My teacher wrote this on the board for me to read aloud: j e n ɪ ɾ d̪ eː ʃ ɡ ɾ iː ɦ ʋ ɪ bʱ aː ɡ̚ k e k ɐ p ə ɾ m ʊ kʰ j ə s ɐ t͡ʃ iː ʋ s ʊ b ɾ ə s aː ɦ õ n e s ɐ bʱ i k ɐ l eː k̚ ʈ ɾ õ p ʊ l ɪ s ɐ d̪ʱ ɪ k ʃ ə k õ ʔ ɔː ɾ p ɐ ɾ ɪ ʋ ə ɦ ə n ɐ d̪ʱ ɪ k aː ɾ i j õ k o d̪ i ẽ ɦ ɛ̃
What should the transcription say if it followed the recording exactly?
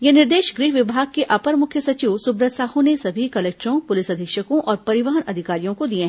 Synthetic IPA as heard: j e n ɪ ɾ d̪ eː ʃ ɡ ɾ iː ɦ ʋ ɪ bʱ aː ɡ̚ k e ʔ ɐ p ə ɾ m ʊ kʰ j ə s ɐ t͡ʃ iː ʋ s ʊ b ɾ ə s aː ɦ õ n e s ɐ bʱ i k ɐ l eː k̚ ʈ ɾ õ p ʊ l ɪ s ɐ d̪ʱ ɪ k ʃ ə k õ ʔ ɔː ɾ p ɐ ɾ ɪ ʋ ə ɦ ə n ɐ d̪ʱ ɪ k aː ɾ i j õ k o d̪ i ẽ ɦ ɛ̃